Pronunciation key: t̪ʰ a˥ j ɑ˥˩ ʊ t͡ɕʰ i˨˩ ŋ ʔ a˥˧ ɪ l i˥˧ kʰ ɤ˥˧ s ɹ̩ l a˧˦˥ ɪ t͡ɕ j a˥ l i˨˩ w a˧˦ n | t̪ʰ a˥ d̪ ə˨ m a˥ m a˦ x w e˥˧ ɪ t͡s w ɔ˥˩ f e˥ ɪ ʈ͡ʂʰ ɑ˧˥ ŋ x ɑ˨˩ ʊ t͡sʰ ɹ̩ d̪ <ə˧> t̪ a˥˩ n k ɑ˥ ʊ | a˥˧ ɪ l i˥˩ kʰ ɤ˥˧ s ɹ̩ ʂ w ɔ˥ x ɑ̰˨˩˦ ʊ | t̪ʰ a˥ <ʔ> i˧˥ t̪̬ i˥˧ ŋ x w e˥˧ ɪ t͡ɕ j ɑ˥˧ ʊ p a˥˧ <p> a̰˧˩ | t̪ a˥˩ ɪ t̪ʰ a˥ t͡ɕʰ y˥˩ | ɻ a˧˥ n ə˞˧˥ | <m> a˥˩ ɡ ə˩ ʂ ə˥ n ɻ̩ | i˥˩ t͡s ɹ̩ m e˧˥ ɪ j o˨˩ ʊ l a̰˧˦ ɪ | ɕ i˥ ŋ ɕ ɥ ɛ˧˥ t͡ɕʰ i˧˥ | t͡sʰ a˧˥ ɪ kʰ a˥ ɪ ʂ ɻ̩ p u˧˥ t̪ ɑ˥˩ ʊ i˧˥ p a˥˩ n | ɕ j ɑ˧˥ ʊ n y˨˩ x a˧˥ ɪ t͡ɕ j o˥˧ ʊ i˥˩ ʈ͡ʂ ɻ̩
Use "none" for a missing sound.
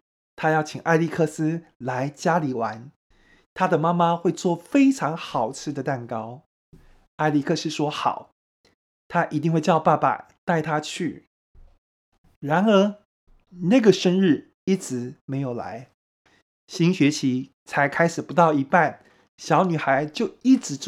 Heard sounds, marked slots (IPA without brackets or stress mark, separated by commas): ə˩, ʔ, p, n